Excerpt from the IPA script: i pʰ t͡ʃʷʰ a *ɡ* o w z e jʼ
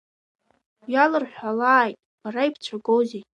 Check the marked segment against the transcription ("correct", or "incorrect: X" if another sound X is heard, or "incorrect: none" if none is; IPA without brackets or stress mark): correct